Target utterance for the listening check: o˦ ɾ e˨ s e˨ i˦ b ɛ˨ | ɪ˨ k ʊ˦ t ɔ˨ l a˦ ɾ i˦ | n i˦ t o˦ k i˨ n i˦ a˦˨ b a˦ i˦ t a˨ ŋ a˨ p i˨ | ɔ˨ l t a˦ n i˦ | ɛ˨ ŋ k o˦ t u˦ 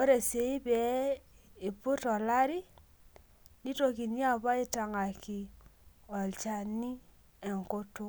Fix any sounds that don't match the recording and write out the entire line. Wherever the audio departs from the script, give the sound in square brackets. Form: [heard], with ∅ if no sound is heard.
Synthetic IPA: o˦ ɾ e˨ s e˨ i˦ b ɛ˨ | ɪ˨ [p] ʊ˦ t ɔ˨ l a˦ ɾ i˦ | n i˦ t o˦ k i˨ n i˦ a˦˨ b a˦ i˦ t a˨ ŋ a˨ [k] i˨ | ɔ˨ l [t͡ʃ] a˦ n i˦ | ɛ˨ ŋ k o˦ t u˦

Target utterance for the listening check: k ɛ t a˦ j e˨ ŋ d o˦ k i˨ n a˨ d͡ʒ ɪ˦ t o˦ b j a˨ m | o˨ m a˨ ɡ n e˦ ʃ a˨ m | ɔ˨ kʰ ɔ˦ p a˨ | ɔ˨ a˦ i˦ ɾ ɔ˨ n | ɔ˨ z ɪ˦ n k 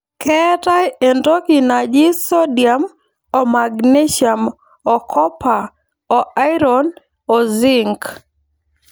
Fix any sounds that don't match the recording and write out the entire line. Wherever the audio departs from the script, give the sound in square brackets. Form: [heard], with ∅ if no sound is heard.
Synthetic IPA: k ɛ t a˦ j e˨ [n] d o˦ k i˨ n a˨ d͡ʒ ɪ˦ [s] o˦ [d] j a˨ m | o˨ m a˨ ɡ n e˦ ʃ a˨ m | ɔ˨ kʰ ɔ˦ p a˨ | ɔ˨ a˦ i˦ ɾ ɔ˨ n | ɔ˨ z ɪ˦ [ŋ] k

